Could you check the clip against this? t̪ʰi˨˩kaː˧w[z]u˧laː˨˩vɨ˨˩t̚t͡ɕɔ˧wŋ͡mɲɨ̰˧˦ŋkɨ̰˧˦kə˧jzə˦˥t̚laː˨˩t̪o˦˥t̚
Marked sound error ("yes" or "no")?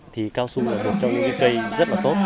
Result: yes